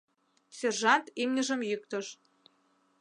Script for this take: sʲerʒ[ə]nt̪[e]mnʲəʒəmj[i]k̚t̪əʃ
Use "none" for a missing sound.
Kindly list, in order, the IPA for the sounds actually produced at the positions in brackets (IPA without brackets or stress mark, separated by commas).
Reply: ɑ, i, y